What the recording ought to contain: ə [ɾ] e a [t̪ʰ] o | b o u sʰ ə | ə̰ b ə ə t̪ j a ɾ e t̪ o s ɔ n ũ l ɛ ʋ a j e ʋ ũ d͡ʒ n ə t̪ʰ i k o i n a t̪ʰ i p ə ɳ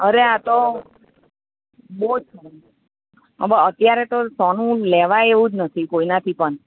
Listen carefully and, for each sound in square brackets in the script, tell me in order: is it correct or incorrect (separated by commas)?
correct, incorrect